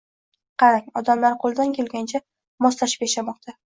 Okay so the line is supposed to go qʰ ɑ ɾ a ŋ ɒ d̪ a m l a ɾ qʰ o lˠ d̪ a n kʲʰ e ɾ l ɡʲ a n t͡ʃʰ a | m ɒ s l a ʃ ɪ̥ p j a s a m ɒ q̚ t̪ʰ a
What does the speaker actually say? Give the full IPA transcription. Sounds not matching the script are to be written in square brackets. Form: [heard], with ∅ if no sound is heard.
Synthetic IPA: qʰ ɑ ɾ a ŋ ɒ d̪ a m l a ɾ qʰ o lˠ d̪ a n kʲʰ e [∅] l ɡʲ a n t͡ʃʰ a | m ɒ s l a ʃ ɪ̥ p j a [ʃ] a m ɒ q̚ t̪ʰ a